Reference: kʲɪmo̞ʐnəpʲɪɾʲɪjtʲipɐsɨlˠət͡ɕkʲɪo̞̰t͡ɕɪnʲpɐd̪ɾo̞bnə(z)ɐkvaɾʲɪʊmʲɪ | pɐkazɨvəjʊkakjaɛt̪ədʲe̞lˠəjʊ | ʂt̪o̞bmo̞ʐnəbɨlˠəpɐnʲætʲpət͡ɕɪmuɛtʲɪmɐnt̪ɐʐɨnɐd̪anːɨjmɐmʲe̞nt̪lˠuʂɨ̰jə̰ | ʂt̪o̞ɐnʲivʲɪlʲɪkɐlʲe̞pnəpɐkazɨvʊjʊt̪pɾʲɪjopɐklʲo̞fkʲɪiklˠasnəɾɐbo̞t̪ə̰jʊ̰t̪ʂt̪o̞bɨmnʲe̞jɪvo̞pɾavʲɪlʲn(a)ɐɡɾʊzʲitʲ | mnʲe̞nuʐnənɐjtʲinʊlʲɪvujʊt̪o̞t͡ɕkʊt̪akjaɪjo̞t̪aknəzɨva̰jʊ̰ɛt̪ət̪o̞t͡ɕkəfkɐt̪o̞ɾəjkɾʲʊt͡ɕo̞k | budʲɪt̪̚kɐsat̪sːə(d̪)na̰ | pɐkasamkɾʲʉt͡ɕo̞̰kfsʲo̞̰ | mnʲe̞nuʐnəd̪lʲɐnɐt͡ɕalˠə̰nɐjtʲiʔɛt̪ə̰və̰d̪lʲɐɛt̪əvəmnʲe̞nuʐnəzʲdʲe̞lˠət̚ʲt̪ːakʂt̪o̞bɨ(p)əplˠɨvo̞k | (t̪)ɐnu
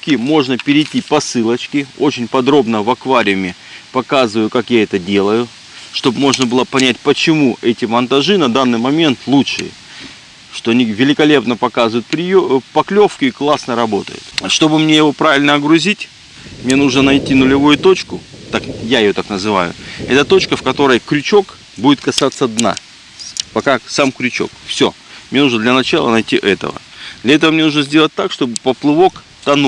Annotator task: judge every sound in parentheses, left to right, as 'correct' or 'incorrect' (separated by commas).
incorrect, incorrect, correct, correct, correct